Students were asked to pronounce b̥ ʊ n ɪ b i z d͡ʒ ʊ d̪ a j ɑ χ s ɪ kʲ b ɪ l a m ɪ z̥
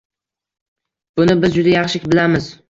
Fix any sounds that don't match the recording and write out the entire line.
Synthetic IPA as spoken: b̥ ʊ n ɪ b ɪ z d͡ʒ ʊ d̪ a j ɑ χ ʃ ɪ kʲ b ɪ l a m ɪ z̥